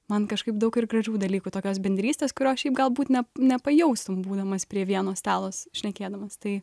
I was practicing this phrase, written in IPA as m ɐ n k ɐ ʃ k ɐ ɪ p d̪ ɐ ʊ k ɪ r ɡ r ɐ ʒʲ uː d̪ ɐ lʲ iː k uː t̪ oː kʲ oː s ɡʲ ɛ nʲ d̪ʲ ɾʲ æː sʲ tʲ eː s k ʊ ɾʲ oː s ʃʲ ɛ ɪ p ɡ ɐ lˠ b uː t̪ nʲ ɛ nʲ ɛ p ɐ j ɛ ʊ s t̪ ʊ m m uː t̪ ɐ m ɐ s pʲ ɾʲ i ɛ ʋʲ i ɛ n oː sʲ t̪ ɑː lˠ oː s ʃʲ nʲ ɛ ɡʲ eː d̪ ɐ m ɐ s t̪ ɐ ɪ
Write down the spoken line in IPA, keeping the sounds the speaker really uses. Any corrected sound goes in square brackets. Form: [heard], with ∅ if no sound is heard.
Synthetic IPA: m ɐ n k ɐ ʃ k ɐ ɪ p d̪ ɐ ʊ k ɪ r ɡ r ɐ ʒʲ uː d̪ ɐ lʲ iː k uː t̪ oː kʲ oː s [bʲ] ɛ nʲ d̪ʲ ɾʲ [iː] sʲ tʲ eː s k ʊ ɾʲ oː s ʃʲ ɛ ɪ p ɡ ɐ lˠ b uː t̪ nʲ ɛ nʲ ɛ p ɐ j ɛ ʊ s t̪ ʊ m [b] uː [d̪] ɐ m ɐ s pʲ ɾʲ i ɛ ʋʲ i ɛ n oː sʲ t̪ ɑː lˠ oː s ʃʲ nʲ ɛ [kʲ] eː d̪ ɐ m ɐ s t̪ ɐ ɪ

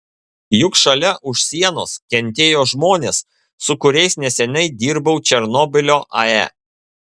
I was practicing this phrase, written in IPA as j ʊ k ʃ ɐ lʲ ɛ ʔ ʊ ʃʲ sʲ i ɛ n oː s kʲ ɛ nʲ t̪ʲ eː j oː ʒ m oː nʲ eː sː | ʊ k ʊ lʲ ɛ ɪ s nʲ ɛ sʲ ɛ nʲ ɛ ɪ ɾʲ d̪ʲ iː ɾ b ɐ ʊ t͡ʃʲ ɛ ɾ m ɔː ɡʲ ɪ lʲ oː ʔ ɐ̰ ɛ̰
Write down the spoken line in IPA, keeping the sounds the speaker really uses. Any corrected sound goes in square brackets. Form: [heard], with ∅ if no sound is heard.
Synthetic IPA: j ʊ k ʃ ɐ lʲ ɛ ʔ ʊ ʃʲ sʲ i ɛ n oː s kʲ ɛ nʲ t̪ʲ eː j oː ʒ m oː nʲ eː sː | ʊ k ʊ [ɾʲ] ɛ ɪ s nʲ ɛ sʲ ɛ nʲ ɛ ɪ [∅] d̪ʲ iː ɾ b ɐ ʊ t͡ʃʲ ɛ ɾ [n] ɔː [bʲ] ɪ lʲ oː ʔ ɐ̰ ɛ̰

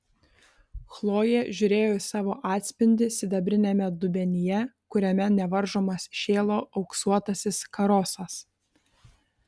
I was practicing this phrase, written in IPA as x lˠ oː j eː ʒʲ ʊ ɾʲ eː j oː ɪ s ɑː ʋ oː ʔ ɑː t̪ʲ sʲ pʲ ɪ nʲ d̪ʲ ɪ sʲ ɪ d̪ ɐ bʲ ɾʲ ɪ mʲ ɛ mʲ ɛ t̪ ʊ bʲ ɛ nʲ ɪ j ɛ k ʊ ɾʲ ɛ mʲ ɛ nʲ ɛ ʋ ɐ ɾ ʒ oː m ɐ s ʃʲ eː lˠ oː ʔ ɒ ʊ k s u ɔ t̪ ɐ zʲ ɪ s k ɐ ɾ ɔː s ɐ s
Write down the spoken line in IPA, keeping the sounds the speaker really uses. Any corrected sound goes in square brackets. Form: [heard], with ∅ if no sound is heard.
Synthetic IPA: x lˠ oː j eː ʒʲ ʊ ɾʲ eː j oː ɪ s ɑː ʋ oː ʔ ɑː t̪ʲ sʲ pʲ ɪ nʲ d̪ʲ ɪ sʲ ɪ d̪ ɐ bʲ ɾʲ ɪ [nʲ] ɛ mʲ ɛ [d̪] ʊ bʲ ɛ nʲ ɪ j ɛ k ʊ ɾʲ ɛ mʲ ɛ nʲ ɛ ʋ ɐ ɾ ʒ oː m ɐ s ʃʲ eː lˠ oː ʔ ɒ ʊ k s u ɔ t̪ ɐ [sʲ] ɪ s k ɐ ɾ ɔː s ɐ s

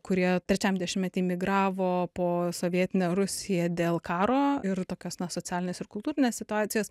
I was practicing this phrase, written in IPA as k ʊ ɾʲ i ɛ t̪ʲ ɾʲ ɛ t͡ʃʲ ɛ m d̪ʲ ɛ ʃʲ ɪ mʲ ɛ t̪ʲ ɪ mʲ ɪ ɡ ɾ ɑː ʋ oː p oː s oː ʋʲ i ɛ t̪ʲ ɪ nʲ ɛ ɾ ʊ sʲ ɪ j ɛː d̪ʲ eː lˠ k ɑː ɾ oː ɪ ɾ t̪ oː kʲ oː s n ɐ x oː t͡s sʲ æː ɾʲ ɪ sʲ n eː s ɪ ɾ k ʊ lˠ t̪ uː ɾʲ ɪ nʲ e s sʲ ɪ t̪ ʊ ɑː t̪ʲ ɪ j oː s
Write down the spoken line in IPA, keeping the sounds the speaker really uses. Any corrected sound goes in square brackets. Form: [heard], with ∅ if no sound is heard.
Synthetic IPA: k ʊ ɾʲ i ɛ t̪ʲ ɾʲ ɛ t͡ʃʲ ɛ m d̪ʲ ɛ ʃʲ ɪ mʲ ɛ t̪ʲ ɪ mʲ ɪ ɡ ɾ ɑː ʋ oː p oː s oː ʋʲ i ɛ t̪ʲ ɪ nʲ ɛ ɾ ʊ sʲ ɪ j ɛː d̪ʲ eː lˠ k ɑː ɾ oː ɪ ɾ t̪ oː kʲ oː s n ɐ [s] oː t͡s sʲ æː [lʲ] ɪ [∅] n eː s ɪ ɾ k ʊ lˠ t̪ uː ɾʲ ɪ nʲ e s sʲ ɪ t̪ ʊ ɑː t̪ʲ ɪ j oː s

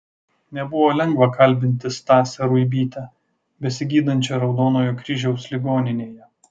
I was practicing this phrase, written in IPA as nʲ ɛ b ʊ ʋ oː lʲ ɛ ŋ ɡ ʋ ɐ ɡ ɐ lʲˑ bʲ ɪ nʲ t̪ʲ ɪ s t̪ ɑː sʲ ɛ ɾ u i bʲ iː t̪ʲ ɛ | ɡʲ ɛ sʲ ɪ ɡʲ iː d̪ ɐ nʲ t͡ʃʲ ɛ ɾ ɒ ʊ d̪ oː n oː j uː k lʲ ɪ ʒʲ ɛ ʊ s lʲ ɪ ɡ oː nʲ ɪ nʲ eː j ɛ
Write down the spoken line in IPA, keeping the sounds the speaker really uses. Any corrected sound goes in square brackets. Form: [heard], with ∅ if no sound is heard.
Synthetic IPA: nʲ ɛ b ʊ ʋ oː lʲ ɛ ŋ ɡ ʋ ɐ [k] ɐ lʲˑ bʲ ɪ nʲ t̪ʲ ɪ s t̪ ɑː sʲ ɛ ɾ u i bʲ iː t̪ʲ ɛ | [bʲ] ɛ sʲ ɪ ɡʲ iː d̪ ɐ nʲ t͡ʃʲ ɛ ɾ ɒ ʊ d̪ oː n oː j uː k [ɾʲ] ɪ ʒʲ ɛ ʊ s lʲ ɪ ɡ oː nʲ ɪ nʲ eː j ɛ

